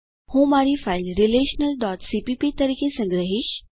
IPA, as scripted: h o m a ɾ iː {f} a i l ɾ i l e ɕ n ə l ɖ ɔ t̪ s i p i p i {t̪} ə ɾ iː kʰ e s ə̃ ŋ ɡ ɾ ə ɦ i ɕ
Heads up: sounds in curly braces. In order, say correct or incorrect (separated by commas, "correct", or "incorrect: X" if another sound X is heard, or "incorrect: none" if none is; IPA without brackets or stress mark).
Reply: correct, correct